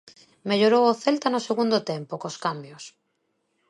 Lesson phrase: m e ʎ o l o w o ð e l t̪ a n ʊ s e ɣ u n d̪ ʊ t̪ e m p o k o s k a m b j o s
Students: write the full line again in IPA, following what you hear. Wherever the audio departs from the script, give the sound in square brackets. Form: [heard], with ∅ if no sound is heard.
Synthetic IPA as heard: m e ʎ o [ɾ] o w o [θ] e l t̪ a n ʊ s e ɣ u n d̪ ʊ t̪ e m p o k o s k a m b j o s